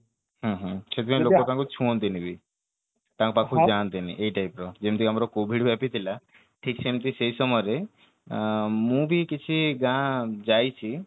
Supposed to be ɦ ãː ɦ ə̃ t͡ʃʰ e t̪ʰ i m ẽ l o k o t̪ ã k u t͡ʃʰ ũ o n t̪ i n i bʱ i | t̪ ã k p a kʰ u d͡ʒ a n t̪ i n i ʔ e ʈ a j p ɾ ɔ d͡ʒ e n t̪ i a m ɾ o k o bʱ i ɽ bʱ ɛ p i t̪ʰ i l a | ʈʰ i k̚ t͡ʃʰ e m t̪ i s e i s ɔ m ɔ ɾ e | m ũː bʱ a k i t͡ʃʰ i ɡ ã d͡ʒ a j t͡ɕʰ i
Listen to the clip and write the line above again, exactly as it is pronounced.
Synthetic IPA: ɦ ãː ɦ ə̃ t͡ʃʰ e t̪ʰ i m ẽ l o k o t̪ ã k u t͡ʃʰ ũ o n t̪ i n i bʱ i | t̪ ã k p a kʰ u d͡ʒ a n t̪ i n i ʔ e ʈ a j p ɾ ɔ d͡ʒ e m t̪ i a m ɾ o k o bʱ i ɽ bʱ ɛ p i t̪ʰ i l a | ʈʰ i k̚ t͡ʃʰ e m t̪ i s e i s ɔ m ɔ ɾ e | m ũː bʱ i k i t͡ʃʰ i ɡ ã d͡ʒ a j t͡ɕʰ i